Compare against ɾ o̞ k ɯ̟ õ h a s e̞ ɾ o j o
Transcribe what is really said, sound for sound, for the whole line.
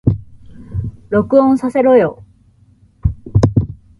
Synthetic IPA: ɾ o̞ k ɯ̟ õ s a s e̞ ɾ o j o